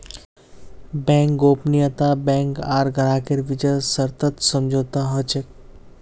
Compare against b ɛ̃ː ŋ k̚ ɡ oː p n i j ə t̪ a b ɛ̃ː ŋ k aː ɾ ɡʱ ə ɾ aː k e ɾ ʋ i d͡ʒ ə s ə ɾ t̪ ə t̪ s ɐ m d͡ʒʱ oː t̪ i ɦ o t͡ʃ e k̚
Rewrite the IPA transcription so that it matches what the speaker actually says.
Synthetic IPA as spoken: b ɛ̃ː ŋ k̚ ɡ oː p n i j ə t̪ a b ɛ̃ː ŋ k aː ɾ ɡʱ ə ɾ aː k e ɾ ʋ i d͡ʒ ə s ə ɾ t̪ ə t̪ s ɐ m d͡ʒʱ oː t̪ a ɦ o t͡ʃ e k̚